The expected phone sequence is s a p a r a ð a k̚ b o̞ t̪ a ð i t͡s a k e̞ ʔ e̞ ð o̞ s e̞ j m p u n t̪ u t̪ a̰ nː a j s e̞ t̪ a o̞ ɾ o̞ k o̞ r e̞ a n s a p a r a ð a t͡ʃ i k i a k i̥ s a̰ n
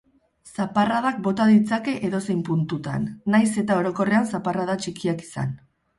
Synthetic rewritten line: s a p a r a ð a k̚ b o̞ t̪ a ð i t͡s a k e̞ ʔ e̞ ð o̞ s e̞ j m p u n t̪ u t̪ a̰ nː a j s e̞ t̪ a o̞ ɾ o̞ k o̞ r e̞ a n s a p a r a ð a t͡ʃ i k i a k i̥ s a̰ n